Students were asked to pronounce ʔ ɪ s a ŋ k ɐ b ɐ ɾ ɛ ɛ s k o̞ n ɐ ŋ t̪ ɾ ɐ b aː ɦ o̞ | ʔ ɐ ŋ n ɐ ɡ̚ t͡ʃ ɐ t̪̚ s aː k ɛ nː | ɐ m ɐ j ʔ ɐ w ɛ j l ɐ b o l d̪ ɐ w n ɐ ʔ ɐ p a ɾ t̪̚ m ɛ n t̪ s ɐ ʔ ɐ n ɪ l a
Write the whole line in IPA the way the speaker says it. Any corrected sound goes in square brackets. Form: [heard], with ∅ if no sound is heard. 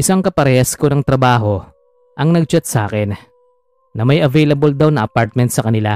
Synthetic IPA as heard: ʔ ɪ s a ŋ k ɐ [p] ɐ ɾ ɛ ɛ s k o̞ n ɐ ŋ t̪ ɾ ɐ b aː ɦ o̞ | ʔ ɐ ŋ n ɐ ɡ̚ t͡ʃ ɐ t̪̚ s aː k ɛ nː | ɐ m ɐ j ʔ ɐ [v] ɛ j l ɐ b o l d̪ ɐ w n ɐ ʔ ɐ p a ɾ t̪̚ m ɛ n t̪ s ɐ [k] ɐ n ɪ l a